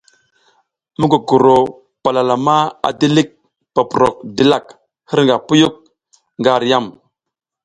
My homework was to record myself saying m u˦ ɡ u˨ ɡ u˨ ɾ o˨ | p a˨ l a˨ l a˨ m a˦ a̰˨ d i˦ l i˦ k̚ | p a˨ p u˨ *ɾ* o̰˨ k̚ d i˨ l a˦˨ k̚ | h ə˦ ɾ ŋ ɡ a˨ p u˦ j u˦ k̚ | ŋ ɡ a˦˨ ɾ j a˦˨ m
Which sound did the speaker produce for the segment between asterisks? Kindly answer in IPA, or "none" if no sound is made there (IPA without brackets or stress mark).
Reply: ɾ